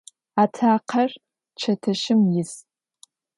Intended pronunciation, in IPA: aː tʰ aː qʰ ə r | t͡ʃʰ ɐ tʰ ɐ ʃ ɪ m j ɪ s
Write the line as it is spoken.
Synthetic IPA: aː tʰ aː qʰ ɐ r | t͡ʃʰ ɐ tʰ ɐ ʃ ɪ m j ɪ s